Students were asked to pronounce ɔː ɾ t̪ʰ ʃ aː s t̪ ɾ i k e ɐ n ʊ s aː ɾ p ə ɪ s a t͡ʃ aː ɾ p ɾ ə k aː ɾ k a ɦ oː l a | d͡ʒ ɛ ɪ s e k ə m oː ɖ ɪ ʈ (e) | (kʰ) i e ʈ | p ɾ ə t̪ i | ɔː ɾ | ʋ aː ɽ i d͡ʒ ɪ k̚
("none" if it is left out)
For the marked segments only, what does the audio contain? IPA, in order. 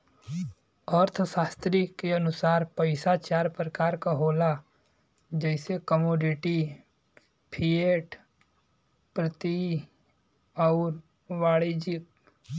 i, pʰ

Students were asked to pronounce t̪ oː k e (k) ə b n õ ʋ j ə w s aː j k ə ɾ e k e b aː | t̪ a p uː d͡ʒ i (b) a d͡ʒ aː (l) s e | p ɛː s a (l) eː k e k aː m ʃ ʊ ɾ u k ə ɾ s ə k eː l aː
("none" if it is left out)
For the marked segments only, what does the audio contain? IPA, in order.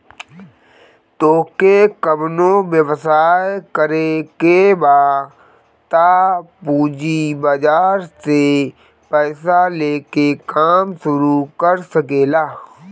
k, b, ɾ, l

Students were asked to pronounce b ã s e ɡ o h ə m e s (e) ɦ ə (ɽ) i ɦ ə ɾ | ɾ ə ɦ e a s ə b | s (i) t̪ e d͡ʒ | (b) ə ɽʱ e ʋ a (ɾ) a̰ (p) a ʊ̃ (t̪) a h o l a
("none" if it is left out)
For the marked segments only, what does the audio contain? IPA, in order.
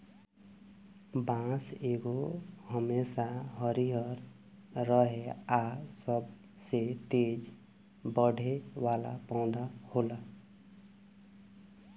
a, ɾ, e, b, l, p, d̪

